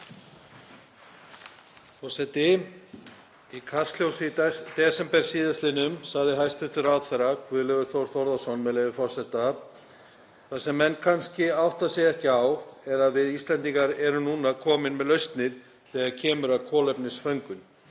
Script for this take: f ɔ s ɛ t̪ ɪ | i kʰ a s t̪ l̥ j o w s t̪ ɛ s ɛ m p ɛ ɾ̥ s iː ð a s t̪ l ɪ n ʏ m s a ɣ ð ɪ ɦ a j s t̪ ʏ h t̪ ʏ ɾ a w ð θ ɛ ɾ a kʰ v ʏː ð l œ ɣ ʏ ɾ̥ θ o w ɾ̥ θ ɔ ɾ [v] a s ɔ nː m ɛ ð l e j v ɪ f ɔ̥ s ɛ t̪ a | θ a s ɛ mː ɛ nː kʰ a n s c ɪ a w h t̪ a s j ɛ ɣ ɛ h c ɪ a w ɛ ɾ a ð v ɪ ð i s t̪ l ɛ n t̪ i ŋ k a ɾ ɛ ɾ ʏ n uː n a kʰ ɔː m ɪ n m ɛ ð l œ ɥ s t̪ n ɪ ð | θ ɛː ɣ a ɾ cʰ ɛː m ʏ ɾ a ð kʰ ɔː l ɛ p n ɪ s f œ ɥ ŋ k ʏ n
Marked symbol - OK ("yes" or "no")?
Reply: no